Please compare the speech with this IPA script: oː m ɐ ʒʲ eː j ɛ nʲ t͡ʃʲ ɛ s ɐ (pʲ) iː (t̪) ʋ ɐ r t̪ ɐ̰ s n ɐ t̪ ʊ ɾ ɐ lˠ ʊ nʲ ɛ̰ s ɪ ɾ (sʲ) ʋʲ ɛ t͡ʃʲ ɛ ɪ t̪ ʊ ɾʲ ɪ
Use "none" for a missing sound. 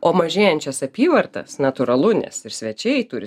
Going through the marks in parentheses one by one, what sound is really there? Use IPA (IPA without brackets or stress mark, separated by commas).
pʲ, none, sʲ